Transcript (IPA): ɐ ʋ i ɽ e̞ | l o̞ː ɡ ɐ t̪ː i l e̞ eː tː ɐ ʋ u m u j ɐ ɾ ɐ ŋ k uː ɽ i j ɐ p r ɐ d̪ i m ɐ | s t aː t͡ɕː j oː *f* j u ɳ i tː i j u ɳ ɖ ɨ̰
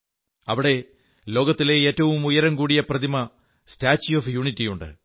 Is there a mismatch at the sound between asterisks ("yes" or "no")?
no